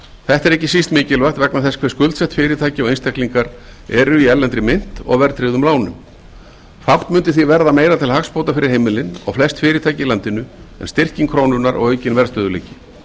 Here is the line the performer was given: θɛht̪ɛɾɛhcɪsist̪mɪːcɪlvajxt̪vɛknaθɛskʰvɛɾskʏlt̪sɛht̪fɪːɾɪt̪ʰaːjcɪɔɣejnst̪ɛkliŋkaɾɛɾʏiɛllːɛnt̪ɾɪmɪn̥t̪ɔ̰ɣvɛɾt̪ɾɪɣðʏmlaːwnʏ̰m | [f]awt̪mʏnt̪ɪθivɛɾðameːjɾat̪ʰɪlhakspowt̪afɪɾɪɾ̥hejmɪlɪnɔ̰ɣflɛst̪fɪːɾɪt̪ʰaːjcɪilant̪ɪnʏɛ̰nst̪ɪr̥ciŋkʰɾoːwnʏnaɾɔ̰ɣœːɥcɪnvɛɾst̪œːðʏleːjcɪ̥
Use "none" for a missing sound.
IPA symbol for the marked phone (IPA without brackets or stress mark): f